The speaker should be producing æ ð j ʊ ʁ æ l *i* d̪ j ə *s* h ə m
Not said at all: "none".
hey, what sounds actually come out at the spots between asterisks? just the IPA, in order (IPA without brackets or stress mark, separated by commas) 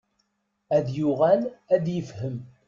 æ, f